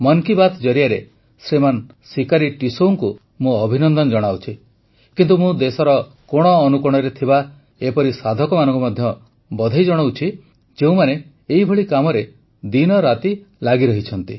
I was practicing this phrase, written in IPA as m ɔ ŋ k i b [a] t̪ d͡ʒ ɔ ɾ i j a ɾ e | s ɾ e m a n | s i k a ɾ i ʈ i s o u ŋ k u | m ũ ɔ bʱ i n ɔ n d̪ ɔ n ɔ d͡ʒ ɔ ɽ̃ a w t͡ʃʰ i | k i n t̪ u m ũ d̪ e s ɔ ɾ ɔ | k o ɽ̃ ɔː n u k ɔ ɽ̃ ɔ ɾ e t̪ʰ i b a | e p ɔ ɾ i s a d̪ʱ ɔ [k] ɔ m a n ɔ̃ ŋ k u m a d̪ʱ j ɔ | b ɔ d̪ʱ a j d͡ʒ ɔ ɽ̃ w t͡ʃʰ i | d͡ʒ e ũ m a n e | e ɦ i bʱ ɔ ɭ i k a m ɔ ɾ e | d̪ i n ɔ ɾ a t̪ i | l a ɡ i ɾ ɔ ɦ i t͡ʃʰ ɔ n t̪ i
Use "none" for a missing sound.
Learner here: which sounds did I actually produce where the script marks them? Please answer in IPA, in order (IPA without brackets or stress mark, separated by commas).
a, k